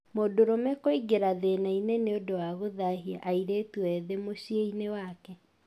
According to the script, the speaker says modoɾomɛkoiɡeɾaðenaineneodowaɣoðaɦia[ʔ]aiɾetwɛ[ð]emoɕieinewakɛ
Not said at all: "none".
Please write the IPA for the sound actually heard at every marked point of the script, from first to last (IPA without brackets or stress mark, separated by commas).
ʔ, ð